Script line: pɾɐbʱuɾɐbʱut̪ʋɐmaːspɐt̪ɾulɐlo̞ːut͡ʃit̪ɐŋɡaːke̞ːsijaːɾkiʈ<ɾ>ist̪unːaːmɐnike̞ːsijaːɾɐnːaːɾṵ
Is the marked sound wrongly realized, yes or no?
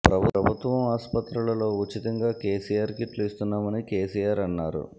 yes